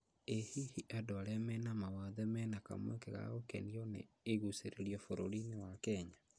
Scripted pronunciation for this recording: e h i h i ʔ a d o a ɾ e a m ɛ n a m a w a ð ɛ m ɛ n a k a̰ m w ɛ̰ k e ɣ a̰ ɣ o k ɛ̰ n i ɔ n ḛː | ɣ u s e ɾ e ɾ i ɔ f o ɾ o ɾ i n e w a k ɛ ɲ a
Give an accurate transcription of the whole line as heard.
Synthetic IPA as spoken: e h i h i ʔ a d o a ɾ e a m ɛ n a m a w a ð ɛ m ɛ n a k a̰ m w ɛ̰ k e ɣ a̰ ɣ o k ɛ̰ n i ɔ n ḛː | ɣ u s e ɾ e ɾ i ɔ f o ɾ o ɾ i n e w a k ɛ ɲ a